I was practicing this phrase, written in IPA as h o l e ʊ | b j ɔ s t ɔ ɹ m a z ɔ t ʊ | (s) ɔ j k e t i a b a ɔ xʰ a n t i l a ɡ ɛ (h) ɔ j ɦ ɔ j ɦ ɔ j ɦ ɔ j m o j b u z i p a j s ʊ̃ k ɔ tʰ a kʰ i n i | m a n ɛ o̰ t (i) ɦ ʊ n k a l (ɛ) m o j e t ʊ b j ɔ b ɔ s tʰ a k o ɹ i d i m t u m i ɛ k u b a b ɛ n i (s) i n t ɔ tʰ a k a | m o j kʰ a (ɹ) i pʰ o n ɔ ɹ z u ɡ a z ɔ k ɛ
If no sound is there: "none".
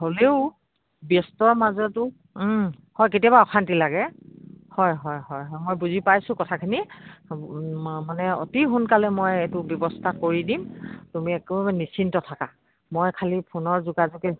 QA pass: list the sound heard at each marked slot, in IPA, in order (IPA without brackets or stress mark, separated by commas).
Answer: h, h, i, ɛ, s, l